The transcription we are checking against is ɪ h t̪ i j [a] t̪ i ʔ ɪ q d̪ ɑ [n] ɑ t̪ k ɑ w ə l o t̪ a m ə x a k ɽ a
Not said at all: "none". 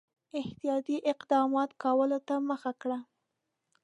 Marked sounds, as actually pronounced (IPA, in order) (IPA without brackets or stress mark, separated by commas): ɑ, m